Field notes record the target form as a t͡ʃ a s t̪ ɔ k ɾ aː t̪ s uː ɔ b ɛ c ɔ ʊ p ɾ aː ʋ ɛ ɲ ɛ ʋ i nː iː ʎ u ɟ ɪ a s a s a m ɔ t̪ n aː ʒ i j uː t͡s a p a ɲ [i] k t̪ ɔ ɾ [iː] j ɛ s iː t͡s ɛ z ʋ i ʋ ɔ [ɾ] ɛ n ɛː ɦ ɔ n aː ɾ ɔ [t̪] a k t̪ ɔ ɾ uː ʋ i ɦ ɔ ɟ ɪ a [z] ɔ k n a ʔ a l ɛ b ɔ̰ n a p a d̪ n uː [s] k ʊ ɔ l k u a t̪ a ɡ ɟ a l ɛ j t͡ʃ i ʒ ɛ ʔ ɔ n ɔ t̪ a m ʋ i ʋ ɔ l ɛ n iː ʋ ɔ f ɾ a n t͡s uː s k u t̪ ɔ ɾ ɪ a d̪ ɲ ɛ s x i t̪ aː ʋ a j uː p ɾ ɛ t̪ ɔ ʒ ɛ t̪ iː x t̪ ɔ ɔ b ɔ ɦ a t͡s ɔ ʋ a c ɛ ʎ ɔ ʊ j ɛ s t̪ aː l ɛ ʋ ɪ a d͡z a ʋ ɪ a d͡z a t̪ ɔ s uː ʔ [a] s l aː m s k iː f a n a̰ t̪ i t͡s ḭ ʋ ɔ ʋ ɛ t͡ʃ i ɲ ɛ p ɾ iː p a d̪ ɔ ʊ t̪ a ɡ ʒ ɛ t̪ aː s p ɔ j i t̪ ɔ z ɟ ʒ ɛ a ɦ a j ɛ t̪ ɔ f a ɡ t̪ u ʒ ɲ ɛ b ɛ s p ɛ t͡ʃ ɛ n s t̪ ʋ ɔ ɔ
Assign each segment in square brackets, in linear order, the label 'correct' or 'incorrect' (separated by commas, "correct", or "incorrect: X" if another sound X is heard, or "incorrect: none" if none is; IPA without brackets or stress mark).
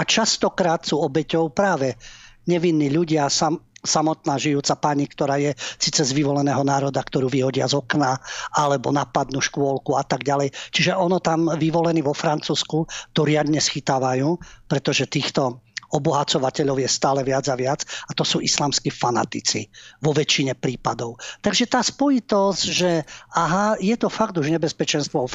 correct, incorrect: aː, incorrect: l, incorrect: d̪, correct, incorrect: ʃ, incorrect: i